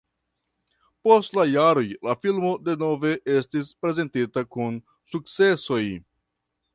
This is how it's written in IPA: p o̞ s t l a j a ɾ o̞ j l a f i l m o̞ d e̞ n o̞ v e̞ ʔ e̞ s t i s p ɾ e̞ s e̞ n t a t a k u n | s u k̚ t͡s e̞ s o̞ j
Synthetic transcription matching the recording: p o̞ s t l a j a ɾ o̞ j l a f i l m o̞ d e̞ n o̞ v e̞ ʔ e̞ s t i s p ɾ e̞ z e̞ n t i t a k u n | s u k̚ t͡s e̞ s o̞ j